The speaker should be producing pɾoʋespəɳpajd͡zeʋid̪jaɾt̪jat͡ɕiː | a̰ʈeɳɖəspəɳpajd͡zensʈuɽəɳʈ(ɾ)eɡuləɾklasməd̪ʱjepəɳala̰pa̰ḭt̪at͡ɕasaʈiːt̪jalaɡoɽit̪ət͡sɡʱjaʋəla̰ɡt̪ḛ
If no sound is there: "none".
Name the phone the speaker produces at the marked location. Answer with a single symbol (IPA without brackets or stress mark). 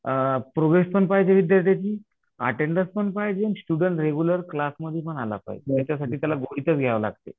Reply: ɾ